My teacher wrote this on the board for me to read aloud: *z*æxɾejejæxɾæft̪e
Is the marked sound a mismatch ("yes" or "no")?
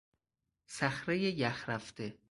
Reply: yes